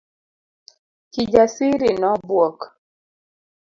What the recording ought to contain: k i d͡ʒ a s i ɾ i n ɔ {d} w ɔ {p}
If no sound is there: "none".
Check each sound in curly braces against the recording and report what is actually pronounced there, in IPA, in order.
b, k

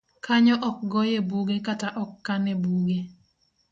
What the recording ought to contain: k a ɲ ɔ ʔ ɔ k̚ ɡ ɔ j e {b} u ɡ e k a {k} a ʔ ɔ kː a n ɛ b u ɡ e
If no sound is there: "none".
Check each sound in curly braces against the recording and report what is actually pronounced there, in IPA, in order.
b, t

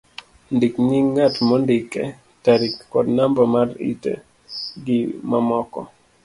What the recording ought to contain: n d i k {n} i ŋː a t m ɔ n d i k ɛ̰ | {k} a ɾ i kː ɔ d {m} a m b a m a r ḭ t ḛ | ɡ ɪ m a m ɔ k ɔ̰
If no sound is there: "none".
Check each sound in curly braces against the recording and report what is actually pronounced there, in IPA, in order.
ɲ, t, n

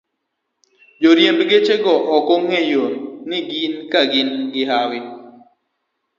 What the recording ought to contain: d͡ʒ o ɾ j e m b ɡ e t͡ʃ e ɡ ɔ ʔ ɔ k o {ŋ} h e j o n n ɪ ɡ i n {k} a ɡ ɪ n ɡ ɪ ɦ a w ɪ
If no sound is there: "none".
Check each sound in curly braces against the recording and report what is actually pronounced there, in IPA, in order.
ŋ, k

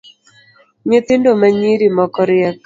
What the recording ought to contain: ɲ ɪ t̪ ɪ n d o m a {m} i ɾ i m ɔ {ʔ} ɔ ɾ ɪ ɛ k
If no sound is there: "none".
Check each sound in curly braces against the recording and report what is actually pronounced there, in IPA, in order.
ɲ, k

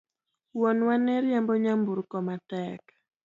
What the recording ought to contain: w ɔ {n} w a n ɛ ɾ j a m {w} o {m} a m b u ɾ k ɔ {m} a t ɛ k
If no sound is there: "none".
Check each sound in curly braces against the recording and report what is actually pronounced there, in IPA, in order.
n, b, ɲ, m

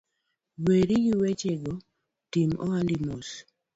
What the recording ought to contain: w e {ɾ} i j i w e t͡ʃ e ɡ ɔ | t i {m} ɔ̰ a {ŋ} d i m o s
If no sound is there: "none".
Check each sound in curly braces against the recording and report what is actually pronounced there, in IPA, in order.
ɾ, m, n

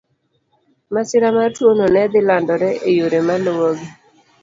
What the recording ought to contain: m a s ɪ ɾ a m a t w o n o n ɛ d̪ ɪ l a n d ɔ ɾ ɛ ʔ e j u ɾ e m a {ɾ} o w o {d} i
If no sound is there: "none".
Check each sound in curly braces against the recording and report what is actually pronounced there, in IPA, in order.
l, ɡ

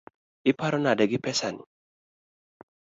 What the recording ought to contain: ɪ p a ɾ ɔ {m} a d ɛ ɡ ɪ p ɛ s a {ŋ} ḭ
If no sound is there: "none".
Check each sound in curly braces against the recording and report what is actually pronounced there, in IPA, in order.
n, n

